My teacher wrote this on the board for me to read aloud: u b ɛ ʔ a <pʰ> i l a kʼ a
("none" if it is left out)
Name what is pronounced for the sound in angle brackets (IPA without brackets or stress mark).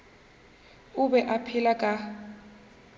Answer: pʰ